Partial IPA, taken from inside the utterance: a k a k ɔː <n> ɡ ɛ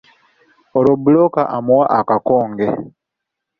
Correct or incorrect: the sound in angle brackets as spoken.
incorrect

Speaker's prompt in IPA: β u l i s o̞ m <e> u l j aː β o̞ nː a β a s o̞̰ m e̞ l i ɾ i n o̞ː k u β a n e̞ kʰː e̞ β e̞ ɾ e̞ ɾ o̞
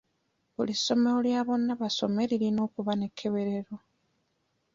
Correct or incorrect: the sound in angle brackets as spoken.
correct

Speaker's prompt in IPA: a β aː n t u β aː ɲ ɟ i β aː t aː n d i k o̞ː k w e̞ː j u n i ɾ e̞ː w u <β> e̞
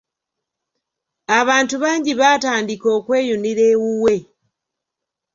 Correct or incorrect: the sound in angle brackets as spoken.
incorrect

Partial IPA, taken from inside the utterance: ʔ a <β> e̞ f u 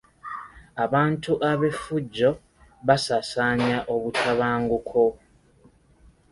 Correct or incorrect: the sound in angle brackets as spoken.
correct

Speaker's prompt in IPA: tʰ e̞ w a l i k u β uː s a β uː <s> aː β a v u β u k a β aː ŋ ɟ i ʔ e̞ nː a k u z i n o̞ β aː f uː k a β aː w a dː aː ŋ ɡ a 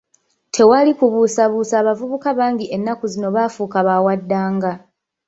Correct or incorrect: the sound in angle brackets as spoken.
correct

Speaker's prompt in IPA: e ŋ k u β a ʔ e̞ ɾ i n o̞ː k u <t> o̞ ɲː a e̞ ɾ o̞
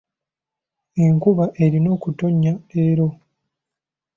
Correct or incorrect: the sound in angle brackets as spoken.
correct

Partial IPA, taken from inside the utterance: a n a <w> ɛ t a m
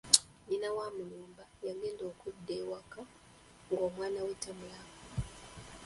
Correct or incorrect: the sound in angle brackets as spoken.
correct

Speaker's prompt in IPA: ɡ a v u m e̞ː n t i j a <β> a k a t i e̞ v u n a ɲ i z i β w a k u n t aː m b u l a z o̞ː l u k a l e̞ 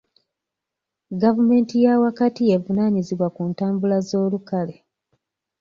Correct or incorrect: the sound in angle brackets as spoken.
incorrect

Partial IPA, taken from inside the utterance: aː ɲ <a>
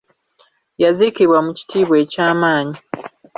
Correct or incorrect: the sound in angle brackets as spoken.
incorrect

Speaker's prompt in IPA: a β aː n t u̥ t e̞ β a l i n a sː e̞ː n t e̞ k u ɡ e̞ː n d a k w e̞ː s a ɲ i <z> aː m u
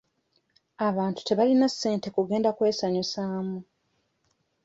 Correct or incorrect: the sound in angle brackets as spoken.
incorrect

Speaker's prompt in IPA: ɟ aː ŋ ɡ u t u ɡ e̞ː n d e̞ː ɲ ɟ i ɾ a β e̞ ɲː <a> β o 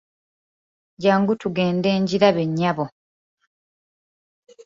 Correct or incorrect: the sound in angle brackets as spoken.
correct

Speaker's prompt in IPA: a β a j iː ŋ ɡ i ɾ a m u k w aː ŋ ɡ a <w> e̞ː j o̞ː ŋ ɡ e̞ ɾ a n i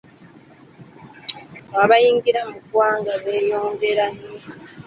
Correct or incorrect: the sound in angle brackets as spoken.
incorrect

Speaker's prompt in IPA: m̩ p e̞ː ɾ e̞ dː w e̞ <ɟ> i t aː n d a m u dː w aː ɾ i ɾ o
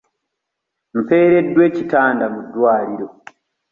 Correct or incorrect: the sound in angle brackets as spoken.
incorrect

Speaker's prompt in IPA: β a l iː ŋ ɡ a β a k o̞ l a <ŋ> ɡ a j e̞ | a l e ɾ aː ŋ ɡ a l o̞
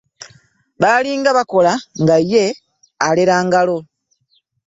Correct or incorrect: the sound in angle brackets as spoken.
correct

